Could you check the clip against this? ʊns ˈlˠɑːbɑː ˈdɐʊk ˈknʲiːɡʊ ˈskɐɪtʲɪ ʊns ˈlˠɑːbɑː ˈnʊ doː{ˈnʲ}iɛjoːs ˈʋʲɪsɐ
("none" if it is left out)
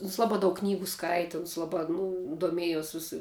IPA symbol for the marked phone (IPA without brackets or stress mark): mʲ